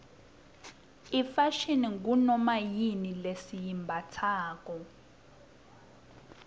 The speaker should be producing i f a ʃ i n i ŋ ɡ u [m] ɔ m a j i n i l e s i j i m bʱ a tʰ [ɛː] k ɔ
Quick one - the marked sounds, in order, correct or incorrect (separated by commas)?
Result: incorrect, incorrect